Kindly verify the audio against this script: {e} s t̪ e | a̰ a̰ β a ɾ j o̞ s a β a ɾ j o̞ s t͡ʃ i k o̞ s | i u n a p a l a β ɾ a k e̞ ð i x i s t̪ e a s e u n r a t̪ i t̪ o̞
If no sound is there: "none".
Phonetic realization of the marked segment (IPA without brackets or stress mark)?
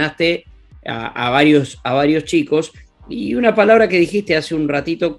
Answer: a